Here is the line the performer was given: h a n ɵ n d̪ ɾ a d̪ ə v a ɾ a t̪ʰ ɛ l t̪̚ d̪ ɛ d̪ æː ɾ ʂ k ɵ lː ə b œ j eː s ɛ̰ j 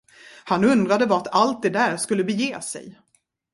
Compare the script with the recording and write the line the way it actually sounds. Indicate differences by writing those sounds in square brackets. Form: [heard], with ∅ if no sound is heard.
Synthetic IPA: h a n ɵ n d̪ ɾ a d̪ ə v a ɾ a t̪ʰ [a] l t̪̚ d̪ ɛ d̪ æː ɾ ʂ k ɵ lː ə b [ɛ] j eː s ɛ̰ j